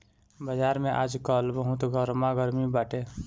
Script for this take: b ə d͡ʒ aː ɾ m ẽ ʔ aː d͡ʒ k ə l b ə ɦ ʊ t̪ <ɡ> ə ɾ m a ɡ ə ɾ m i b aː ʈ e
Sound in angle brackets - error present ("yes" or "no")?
no